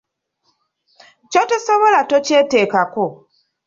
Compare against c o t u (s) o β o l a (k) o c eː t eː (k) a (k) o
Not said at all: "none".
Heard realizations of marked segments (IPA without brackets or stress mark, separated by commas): s, t, k, k